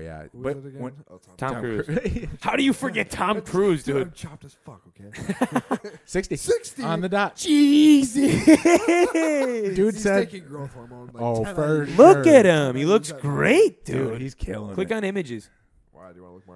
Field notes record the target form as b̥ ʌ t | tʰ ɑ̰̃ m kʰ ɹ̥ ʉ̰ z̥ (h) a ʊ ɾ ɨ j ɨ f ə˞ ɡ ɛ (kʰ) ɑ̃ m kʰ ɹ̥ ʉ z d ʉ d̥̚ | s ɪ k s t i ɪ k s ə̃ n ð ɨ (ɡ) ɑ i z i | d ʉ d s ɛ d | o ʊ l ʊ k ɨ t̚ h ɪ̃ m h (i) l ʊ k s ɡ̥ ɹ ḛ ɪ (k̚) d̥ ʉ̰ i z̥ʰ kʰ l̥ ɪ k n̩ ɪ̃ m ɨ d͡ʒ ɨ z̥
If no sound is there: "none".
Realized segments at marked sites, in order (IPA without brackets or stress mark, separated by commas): h, tʰ, d, i, t̚